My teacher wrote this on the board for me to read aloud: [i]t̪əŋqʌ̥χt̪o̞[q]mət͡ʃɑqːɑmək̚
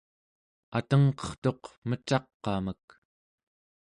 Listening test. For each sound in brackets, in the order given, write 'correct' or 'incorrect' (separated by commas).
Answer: incorrect, correct